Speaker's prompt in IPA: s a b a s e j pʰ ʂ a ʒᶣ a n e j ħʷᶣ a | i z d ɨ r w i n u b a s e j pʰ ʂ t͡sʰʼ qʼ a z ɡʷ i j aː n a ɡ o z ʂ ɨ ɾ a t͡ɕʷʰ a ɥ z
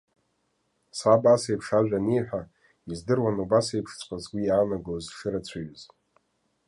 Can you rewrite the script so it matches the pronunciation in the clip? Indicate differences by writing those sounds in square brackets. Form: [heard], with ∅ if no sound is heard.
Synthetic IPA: s a b a s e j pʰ ʂ a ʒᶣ a n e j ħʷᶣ a | i z d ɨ r w [a] n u b a s e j pʰ ʂ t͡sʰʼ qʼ a z ɡʷ i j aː n a ɡ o z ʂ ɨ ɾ a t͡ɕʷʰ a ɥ z